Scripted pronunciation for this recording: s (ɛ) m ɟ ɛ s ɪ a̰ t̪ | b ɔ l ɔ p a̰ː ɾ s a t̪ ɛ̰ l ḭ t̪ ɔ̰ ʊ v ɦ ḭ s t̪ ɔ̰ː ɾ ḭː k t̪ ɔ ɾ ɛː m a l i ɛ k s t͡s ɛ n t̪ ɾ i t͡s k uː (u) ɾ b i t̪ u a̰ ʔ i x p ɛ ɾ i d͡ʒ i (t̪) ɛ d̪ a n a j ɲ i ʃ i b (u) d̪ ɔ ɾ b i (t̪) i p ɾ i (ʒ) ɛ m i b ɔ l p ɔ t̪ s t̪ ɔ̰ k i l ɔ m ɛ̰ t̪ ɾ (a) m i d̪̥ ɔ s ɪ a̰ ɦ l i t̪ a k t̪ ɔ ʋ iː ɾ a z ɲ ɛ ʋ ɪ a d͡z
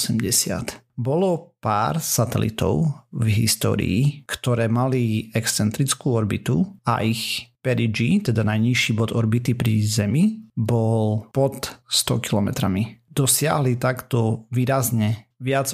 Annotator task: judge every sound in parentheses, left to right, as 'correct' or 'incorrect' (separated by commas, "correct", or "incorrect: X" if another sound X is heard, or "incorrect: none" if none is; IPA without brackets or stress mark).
correct, incorrect: ɔ, correct, incorrect: ɔ, correct, incorrect: z, correct